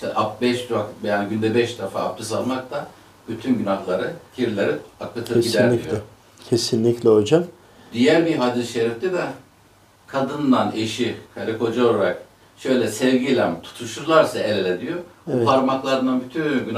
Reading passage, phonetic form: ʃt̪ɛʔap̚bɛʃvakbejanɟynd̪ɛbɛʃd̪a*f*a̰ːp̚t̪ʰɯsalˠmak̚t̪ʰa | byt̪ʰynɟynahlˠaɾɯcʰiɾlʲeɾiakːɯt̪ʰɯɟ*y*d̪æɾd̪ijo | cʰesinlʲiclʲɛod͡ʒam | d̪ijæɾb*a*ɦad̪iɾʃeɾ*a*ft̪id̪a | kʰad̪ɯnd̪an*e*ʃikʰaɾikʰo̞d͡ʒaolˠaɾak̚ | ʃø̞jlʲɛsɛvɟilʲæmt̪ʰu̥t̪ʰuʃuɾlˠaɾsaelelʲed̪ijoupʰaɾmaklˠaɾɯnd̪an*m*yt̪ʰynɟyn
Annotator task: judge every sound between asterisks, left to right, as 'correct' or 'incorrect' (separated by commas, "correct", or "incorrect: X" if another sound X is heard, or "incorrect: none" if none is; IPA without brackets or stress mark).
correct, incorrect: i, incorrect: i, incorrect: i, correct, incorrect: b